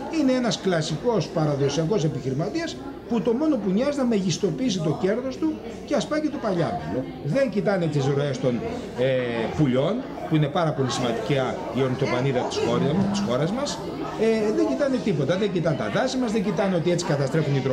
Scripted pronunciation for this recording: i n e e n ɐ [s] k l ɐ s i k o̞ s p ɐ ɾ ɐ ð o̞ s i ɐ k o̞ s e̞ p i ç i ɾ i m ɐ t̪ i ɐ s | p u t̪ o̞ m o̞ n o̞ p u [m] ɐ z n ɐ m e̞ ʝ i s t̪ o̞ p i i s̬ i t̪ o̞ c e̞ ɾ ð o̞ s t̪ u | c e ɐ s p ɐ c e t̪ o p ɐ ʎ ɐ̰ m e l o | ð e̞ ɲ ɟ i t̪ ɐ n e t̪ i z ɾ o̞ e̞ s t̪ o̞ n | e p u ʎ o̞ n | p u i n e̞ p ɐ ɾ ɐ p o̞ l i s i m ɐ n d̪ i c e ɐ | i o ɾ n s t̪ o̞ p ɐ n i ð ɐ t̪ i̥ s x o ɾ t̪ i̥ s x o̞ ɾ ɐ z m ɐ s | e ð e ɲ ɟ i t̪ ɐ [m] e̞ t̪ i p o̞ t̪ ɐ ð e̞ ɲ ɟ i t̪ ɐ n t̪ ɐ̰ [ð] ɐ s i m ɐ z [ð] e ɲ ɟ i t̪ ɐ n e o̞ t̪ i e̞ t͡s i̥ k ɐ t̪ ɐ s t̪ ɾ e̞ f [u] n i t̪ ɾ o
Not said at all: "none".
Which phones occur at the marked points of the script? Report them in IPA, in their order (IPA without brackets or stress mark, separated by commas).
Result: s, ɲ, n, ð, ð, u